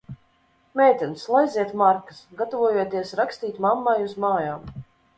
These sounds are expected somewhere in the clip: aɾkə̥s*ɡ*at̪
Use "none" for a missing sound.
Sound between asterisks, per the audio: ɡ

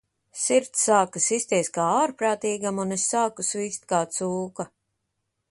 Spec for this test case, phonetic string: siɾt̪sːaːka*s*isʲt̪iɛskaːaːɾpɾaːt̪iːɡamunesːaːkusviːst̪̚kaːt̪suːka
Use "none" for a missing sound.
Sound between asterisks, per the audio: s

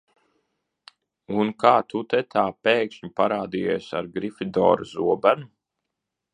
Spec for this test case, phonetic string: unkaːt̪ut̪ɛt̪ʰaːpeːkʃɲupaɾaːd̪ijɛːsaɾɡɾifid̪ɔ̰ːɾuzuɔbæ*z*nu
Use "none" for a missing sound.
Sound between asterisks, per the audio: none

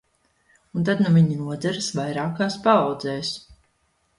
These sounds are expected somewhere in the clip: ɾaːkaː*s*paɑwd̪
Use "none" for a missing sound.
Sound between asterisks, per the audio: s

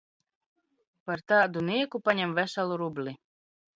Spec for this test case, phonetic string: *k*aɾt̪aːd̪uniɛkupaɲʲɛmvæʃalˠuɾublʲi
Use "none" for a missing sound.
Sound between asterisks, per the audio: p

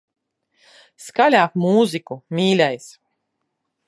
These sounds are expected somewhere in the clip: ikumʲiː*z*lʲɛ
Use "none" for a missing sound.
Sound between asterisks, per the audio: none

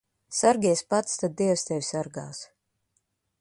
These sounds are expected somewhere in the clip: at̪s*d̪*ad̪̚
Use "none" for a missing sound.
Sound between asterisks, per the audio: t̪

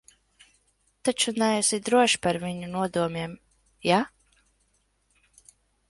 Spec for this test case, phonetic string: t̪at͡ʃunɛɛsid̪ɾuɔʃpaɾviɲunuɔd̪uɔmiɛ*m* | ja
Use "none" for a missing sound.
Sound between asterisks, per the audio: m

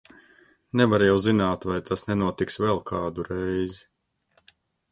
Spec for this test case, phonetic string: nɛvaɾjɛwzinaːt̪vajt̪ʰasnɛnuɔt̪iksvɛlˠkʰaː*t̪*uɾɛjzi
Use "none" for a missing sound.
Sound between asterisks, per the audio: d̪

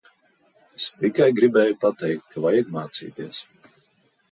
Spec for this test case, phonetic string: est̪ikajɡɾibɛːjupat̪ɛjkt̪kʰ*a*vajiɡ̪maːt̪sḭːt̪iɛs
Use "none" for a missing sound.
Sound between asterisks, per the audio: a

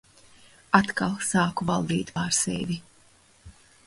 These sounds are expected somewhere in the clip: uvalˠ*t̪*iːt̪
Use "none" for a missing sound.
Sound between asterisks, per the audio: d̪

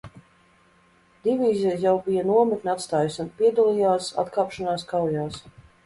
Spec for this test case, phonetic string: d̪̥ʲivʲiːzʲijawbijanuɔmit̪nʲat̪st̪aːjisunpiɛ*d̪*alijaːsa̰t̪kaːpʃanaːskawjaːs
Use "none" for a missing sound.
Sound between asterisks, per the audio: d̪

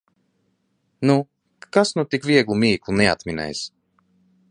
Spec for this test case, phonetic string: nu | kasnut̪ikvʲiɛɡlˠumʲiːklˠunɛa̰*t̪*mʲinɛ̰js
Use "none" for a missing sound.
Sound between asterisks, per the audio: t̪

